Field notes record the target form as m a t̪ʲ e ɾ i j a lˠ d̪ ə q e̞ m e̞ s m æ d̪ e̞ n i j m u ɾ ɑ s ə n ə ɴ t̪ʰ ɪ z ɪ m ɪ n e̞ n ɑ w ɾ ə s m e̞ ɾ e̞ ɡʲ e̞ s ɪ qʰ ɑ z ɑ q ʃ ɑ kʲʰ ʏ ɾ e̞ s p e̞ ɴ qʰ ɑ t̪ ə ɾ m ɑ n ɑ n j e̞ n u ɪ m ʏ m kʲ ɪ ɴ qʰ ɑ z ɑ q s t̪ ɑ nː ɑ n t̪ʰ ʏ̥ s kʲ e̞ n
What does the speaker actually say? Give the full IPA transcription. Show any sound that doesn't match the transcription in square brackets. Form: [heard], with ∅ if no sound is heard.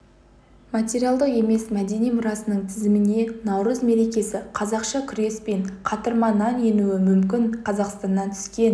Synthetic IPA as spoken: m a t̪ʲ e ɾ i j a lˠ d̪ ə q e̞ m e̞ s m æ d̪ e̞ n i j m [ʊ] ɾ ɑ s ə n ə ɴ t̪ʰ ɪ z ɪ m ɪ n e̞ n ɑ w ɾ ə [z] m e̞ ɾ e̞ [kʲ] e̞ s ɪ qʰ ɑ z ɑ q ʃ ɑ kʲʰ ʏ ɾ e̞ s p e̞ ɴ qʰ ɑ t̪ ə ɾ m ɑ n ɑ n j e̞ n u ɪ m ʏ m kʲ ɪ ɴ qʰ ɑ z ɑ q s t̪ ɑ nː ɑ n t̪ʰ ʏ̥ s kʲ e̞ n